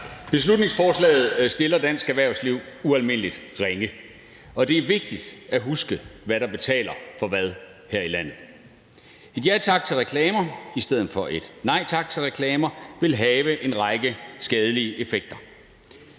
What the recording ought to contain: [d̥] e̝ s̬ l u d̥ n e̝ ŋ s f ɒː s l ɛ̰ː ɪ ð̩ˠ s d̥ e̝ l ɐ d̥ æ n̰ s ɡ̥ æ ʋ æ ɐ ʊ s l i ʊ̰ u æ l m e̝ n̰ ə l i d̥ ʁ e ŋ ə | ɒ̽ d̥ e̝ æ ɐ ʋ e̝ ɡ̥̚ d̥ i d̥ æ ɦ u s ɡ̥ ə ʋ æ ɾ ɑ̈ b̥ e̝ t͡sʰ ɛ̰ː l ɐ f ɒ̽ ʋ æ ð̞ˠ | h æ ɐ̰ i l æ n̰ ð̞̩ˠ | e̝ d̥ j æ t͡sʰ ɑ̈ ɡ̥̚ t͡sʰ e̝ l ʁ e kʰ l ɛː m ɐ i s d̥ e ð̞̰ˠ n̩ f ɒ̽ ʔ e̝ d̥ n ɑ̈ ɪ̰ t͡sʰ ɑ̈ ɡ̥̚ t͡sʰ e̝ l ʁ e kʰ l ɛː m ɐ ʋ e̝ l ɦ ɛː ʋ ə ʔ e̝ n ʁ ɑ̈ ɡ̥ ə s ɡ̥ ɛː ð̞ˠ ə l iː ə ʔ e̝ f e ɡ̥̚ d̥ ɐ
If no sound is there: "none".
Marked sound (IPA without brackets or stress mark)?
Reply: b̥